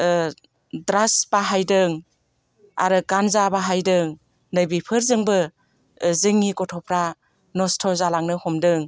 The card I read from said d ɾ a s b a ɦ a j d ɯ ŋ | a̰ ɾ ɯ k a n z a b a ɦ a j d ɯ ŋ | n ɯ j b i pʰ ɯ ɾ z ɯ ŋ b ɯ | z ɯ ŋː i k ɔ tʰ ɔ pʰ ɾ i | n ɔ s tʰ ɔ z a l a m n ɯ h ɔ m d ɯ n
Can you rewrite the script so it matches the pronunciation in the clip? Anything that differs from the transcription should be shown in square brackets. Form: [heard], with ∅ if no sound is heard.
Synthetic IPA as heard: d ɾ a s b a ɦ a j d ɯ ŋ | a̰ ɾ ɯ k a n z a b a ɦ a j d ɯ ŋ | n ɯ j b i pʰ ɯ ɾ z ɯ ŋ b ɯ | z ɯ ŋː i k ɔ tʰ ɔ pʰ ɾ [a] | n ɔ s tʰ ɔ z a l a [ŋ] n ɯ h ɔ m d ɯ [ŋ]